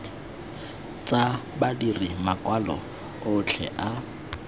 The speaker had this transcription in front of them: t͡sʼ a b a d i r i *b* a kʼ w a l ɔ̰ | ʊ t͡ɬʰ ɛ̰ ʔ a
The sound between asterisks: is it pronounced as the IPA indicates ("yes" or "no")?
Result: no